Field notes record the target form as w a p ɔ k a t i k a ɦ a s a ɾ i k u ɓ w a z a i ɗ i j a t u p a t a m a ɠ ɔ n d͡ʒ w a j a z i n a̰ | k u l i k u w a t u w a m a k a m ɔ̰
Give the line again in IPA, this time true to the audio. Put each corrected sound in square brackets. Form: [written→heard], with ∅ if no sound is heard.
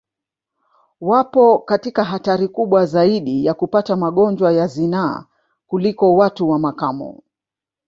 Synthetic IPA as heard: w a p ɔ k a t i k a ɦ a [s→t] a ɾ i k u ɓ w a z a i ɗ i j a [t→k] u p a t a m a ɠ ɔ n d͡ʒ w a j a z i n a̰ | k u l i k [u→ɔ] w a t u w a m a k a m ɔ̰

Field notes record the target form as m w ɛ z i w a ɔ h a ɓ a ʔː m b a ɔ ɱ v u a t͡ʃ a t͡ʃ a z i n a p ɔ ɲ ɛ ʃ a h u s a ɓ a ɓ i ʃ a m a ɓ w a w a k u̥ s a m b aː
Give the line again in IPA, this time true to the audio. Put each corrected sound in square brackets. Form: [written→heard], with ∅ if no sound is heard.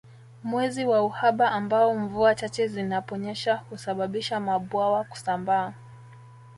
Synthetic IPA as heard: m w ɛ z i w a [ɔ→u] h a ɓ a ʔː m b a ɔ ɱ v u a t͡ʃ a t͡ʃ [a→ɛ] z i n a p ɔ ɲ ɛ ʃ a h u s a ɓ a ɓ i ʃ a m a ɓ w a w a k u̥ s a m b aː

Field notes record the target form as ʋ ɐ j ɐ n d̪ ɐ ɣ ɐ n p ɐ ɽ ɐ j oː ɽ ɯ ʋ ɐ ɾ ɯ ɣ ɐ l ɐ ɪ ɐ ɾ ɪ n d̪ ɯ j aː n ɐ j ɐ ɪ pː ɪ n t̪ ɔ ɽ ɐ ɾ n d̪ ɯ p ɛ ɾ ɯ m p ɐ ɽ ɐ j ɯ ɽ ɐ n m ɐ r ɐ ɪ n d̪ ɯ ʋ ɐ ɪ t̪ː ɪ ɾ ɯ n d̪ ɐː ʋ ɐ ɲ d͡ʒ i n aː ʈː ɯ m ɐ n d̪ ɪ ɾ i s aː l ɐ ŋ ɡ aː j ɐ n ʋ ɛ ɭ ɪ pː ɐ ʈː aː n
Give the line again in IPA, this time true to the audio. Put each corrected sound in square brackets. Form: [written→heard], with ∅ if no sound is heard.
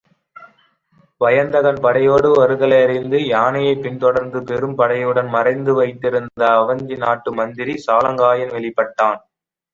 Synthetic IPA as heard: ʋ ɐ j ɐ n d̪ ɐ ɣ ɐ n p ɐ ɽ ɐ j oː ɽ ɯ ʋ ɐ ɾ ɯ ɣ ɐ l ɐ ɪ ɐ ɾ ɪ n d̪ ɯ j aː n ɐ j ɐ ɪ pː ɪ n t̪ ɔ ɽ ɐ ɾ n d̪ ɯ p ɛ ɾ ɯ m p ɐ ɽ ɐ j ɯ ɽ ɐ n m ɐ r ɐ ɪ n d̪ ɯ ʋ ɐ ɪ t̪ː ɪ ɾ ɯ n d̪ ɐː ʋ ɐ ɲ d͡ʒ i n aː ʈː ɯ m ɐ n d̪ ɪ ɾ i s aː l ɐ ŋ ɡ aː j ɐ n ʋ ɛ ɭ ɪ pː ɐ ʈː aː n

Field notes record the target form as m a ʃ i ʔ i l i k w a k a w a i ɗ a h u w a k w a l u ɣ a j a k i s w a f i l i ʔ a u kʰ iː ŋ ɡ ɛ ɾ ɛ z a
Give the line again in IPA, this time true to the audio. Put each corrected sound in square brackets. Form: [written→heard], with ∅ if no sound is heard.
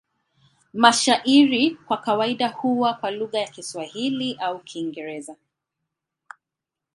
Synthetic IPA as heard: m a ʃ [i→a] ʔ i [l→ɾ] i k w a k a w a i ɗ a h u w a k w a l u ɣ a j a k i s w a [f→h] i l i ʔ a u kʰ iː ŋ ɡ ɛ ɾ ɛ z a

